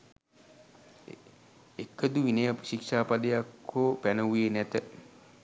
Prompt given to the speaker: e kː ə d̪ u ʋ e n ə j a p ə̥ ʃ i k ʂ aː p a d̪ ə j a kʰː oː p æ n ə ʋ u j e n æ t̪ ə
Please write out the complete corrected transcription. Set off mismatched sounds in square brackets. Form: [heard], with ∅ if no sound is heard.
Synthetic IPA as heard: e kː ə d̪ u ʋ [i] n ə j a p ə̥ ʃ i k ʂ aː p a d̪ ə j a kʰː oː p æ n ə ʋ u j e n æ t̪ ə